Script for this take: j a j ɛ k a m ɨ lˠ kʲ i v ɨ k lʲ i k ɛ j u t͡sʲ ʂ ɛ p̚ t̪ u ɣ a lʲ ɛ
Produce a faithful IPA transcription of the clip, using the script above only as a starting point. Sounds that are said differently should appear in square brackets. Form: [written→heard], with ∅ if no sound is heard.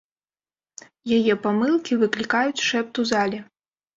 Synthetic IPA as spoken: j a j ɛ [k→p] a m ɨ lˠ kʲ i v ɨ k lʲ i k [ɛ→a] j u t͡sʲ ʂ ɛ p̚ t̪ u [ɣ→z] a lʲ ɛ